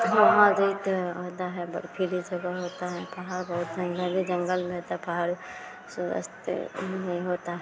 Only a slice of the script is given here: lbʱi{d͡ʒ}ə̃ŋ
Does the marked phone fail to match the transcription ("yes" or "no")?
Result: no